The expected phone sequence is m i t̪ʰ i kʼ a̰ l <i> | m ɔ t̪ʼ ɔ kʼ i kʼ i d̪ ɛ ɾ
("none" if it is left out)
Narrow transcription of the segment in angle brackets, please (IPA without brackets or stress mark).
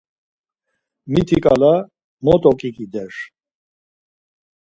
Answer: a